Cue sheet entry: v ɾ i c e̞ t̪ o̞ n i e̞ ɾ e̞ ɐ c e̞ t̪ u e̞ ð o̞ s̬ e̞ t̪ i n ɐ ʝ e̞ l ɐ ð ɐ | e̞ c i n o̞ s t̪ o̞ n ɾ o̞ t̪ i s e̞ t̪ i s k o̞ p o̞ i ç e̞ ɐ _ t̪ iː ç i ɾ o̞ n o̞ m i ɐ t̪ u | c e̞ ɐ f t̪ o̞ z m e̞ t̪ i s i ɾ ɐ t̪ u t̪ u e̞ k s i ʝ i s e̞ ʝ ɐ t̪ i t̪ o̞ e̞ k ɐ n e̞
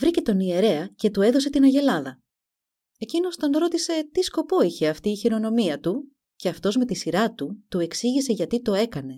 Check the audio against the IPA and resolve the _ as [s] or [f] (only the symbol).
f